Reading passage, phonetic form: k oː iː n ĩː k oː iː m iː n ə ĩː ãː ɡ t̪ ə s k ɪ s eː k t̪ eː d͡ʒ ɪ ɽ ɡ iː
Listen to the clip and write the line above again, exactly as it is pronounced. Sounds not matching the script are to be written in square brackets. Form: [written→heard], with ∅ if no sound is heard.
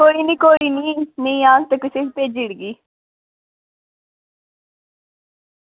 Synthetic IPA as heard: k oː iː n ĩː k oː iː [m→n] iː n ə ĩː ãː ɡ t̪ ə [s→∅] k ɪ s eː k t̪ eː d͡ʒ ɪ ɽ ɡ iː